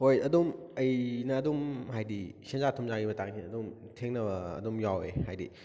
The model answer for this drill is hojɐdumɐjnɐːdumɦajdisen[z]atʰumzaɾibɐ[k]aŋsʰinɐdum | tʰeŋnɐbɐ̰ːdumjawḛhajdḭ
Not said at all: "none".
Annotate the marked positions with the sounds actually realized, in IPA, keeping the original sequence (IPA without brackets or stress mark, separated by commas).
z, t